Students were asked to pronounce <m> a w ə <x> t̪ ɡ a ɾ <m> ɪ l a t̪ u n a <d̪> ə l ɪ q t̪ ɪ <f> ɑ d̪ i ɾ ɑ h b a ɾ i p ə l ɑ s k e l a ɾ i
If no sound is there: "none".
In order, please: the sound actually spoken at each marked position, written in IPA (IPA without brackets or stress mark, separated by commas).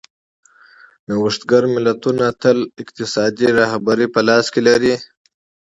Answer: n, ʂ, m, t̪, s